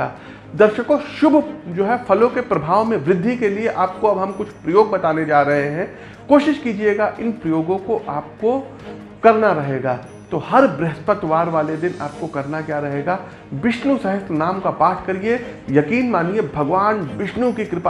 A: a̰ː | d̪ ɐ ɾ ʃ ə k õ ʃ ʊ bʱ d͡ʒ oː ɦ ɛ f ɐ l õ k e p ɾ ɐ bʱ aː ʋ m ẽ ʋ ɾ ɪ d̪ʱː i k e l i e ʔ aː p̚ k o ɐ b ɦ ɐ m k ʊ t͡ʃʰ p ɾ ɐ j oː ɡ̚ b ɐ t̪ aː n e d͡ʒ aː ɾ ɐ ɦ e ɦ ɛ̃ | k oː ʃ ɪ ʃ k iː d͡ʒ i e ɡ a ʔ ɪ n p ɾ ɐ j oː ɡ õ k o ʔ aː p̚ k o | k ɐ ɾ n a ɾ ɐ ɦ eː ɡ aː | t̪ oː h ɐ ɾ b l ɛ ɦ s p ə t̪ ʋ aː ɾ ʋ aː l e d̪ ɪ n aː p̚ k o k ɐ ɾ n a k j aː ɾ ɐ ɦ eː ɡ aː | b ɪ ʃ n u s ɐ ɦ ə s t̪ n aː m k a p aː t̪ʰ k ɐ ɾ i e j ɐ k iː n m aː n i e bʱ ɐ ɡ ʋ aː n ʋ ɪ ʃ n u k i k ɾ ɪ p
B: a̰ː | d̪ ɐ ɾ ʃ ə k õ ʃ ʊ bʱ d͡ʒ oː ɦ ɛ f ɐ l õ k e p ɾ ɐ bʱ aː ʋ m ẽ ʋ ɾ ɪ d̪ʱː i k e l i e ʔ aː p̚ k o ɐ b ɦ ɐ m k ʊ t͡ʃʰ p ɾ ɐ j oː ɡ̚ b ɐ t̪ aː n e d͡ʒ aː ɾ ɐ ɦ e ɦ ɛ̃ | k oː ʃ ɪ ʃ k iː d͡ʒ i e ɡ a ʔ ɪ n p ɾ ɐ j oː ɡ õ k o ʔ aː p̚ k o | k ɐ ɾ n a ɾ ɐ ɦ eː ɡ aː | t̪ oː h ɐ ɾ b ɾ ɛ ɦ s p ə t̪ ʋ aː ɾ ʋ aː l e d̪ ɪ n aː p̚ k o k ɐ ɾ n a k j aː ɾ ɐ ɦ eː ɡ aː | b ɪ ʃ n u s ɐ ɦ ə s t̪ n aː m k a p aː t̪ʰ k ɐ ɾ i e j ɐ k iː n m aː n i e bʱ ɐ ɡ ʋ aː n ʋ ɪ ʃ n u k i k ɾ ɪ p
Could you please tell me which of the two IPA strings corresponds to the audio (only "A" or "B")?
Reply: B